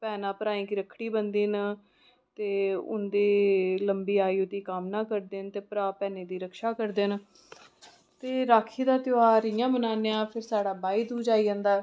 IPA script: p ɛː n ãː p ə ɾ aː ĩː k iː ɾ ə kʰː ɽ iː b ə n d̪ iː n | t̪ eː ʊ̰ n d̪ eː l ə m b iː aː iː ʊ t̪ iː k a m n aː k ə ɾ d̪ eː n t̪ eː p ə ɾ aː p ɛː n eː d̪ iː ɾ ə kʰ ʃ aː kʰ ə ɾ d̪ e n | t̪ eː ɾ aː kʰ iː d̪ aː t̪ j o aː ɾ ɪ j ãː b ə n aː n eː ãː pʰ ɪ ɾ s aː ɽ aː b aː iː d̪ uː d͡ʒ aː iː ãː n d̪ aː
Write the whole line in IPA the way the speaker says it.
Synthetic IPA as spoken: p ɛː n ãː p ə ɾ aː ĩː k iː ɾ ə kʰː ɽ iː b ə n d̪ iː n | t̪ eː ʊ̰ n d̪ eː l ə m b iː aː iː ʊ t̪ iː k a m n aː k ə ɾ d̪ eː n t̪ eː p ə ɾ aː p ɛː n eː d̪ iː ɾ ə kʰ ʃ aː k ə ɾ d̪ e n | t̪ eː ɾ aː kʰ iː d̪ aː t̪ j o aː ɾ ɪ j ãː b ə n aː n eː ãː pʰ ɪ ɾ s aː ɽ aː b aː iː d̪ uː d͡ʒ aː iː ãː n d̪ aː